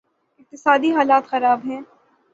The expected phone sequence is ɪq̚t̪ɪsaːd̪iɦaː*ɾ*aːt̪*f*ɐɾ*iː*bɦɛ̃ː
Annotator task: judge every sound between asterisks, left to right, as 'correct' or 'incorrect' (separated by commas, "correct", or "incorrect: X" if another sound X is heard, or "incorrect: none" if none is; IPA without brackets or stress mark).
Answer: incorrect: l, incorrect: x, incorrect: aː